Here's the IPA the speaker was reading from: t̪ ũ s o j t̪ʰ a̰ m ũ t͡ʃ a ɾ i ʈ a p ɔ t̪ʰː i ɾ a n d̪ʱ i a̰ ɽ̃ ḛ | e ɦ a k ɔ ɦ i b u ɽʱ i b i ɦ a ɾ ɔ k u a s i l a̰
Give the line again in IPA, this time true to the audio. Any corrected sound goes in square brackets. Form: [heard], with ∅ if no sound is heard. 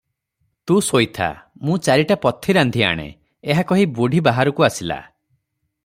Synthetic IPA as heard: t̪ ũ s o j t̪ʰ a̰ m ũ t͡ʃ a ɾ i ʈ a p ɔ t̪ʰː i ɾ a n d̪ʱ i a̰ ɽ̃ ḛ | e ɦ a k ɔ ɦ i b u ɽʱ i b [a] ɦ a ɾ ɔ k u a s i l a̰